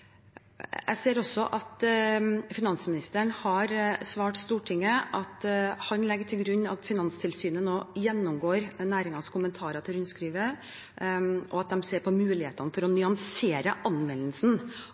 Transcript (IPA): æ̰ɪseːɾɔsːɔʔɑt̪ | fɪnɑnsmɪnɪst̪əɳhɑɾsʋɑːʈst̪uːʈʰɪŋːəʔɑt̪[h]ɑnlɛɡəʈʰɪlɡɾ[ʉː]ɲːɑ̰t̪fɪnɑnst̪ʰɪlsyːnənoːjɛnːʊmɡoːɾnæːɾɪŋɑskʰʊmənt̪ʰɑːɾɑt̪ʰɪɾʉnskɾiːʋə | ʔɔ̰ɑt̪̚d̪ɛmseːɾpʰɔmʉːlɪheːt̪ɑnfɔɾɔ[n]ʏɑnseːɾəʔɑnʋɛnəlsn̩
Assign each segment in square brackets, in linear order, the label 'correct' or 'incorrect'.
correct, incorrect: ʉ, correct

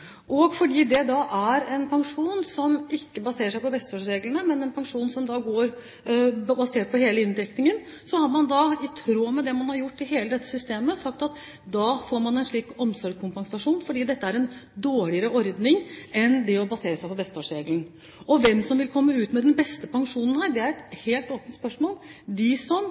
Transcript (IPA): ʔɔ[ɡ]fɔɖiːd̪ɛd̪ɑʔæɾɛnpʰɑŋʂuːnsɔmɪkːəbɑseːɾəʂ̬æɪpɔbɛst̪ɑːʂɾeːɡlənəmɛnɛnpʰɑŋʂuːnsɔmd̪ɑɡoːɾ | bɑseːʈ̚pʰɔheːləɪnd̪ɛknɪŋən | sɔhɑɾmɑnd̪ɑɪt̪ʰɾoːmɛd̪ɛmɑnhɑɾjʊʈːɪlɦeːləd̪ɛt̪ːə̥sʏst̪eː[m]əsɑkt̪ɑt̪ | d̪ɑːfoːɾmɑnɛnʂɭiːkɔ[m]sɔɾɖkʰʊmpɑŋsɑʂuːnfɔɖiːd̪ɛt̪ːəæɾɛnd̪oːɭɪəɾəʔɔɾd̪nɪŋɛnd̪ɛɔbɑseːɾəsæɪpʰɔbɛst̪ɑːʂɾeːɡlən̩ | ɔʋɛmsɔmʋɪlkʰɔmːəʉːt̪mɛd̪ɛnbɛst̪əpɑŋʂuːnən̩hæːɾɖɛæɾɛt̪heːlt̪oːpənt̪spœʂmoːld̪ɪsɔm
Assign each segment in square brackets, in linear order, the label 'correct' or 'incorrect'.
correct, correct, correct

